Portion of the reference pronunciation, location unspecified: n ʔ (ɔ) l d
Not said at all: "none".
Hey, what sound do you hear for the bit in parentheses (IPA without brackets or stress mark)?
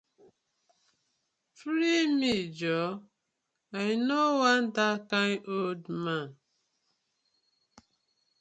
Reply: o